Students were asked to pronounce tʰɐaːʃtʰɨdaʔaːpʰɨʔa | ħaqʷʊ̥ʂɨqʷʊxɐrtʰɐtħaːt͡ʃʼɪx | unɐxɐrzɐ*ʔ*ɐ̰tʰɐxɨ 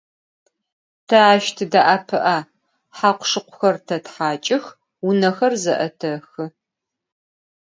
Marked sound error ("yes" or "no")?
no